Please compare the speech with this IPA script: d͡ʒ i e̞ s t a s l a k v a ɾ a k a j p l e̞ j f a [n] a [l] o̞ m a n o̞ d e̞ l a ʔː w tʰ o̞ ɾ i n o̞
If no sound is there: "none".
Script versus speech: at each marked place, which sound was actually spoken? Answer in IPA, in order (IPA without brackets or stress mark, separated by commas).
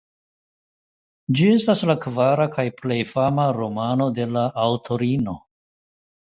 m, ɾ